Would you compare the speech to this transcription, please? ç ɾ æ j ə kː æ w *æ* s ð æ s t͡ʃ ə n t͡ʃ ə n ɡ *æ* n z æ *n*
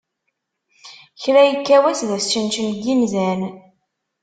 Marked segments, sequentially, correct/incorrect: correct, incorrect, correct

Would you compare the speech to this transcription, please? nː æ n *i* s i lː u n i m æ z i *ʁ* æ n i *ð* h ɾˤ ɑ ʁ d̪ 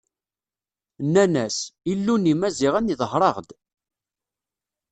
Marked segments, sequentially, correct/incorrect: incorrect, correct, correct

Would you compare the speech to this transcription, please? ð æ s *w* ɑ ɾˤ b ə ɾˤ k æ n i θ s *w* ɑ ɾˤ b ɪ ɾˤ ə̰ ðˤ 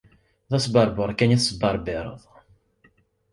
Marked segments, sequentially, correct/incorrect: incorrect, incorrect

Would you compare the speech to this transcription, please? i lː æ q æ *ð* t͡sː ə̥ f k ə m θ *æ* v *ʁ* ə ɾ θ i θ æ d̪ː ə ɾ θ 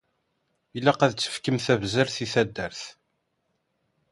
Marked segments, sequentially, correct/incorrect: correct, correct, incorrect

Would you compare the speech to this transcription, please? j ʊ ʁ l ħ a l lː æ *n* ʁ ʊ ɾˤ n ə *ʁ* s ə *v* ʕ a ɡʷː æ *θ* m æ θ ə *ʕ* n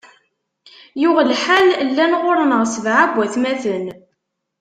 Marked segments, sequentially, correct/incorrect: correct, correct, correct, correct, incorrect

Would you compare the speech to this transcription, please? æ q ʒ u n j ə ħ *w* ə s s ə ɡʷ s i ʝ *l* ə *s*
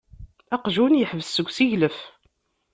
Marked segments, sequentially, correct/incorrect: incorrect, correct, incorrect

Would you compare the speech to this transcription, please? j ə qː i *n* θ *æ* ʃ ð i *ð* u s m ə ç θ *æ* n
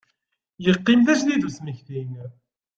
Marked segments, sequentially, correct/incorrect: incorrect, correct, correct, incorrect

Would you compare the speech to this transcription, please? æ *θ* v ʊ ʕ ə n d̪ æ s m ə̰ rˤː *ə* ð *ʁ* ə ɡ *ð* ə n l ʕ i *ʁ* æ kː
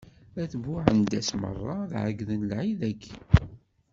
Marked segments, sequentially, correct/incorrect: correct, incorrect, incorrect, correct, incorrect

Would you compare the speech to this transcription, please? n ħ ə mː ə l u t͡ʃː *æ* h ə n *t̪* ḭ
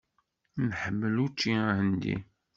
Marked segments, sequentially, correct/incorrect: incorrect, incorrect

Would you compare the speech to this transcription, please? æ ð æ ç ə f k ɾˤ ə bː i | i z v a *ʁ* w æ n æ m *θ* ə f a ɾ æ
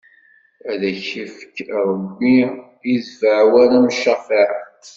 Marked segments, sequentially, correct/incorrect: incorrect, incorrect

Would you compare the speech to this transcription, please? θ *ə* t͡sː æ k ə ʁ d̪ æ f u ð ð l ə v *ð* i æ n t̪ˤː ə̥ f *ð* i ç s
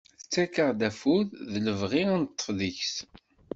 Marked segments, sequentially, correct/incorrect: correct, incorrect, correct

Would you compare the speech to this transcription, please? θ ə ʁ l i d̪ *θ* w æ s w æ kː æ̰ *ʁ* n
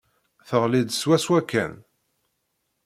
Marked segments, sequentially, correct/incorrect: incorrect, incorrect

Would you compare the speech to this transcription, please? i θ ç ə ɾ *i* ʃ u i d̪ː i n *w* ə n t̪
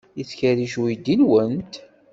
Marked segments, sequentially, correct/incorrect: correct, correct

